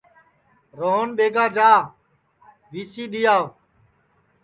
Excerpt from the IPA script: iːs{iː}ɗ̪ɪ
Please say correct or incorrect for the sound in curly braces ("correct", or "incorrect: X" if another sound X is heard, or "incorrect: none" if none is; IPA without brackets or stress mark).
correct